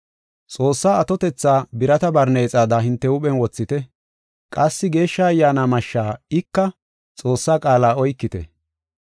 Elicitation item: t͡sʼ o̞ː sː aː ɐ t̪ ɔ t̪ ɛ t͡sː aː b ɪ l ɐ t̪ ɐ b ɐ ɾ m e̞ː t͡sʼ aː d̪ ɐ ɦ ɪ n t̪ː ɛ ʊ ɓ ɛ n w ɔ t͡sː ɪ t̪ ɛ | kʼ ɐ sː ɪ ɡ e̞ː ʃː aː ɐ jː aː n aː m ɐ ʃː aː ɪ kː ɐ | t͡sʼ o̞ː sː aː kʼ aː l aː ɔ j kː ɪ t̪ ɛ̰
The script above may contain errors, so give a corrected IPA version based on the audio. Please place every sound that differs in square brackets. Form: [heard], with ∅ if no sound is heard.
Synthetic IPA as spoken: t͡sʼ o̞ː sː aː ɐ t̪ ɔ t̪ ɛ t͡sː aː b ɪ [ɾ] ɐ t̪ ɐ b ɐ ɾ [n] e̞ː t͡sʼ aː d̪ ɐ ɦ ɪ n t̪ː ɛ ʊ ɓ ɛ n w ɔ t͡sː ɪ t̪ ɛ | kʼ ɐ sː ɪ ɡ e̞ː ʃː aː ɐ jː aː n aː m ɐ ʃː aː ɪ kː ɐ | t͡sʼ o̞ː sː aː kʼ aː l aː ɔ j kː ɪ t̪ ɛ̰

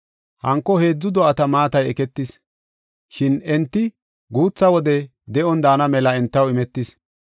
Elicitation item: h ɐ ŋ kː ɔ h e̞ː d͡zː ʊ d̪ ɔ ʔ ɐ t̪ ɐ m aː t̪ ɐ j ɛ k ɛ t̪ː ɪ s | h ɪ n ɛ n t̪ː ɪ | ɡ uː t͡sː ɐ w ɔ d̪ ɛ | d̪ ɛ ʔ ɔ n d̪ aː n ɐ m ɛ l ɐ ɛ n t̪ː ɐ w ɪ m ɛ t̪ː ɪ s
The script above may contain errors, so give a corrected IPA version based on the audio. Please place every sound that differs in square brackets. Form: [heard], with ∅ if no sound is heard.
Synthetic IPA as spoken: h ɐ ŋ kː ɔ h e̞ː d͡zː ʊ d̪ ɔ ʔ ɐ t̪ ɐ m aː t̪ ɐ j ɛ k ɛ t̪ː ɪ s | [ʃ] ɪ n ɛ n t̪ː ɪ | ɡ uː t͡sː ɐ w ɔ d̪ ɛ | d̪ ɛ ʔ ɔ n d̪ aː n ɐ m ɛ l ɐ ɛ n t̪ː ɐ w ɪ m ɛ t̪ː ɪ s

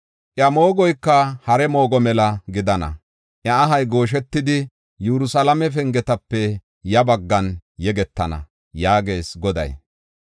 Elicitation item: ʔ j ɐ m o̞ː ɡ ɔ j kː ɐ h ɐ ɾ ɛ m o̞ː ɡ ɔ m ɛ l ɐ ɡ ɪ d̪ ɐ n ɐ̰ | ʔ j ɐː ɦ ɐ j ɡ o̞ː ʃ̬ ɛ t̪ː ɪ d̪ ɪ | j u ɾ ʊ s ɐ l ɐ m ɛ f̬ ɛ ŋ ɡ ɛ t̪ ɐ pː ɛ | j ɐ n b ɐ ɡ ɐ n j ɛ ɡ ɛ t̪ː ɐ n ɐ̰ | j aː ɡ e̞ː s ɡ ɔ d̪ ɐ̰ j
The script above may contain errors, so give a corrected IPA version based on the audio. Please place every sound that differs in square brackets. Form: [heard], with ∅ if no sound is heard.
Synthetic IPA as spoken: ʔ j ɐ m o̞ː ɡ ɔ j kː ɐ h ɐ ɾ ɛ m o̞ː ɡ ɔ m ɛ l ɐ ɡ ɪ d̪ ɐ n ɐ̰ | ʔ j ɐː ɦ ɐ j ɡ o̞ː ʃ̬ ɛ t̪ː ɪ d̪ ɪ | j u ɾ ʊ s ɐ l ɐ m ɛ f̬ ɛ ŋ ɡ ɛ t̪ ɐ pː ɛ | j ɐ [∅] b ɐ [ɡː] ɐ n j ɛ ɡ ɛ t̪ː ɐ n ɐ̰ | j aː ɡ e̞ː s ɡ ɔ d̪ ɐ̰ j

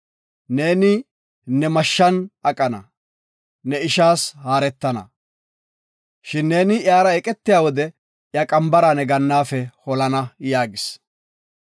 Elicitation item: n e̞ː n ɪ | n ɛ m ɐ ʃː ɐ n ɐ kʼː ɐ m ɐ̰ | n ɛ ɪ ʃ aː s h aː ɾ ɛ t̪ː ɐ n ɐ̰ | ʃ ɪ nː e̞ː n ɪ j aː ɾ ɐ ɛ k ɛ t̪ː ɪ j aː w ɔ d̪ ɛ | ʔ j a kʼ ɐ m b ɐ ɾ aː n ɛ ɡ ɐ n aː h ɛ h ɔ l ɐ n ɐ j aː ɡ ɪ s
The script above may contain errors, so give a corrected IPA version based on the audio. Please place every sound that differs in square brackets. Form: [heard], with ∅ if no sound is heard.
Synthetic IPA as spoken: n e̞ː n ɪ | n ɛ m ɐ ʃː ɐ n ɐ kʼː ɐ [n] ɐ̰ | n ɛ ɪ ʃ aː s h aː ɾ ɛ t̪ː ɐ n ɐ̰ | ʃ ɪ nː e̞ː n ɪ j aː ɾ ɐ ɛ [kʼ] ɛ t̪ː ɪ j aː w ɔ d̪ ɛ | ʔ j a kʼ ɐ m b ɐ ɾ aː n ɛ ɡ ɐ [nː] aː [f] ɛ h ɔ l ɐ n ɐ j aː ɡ ɪ s

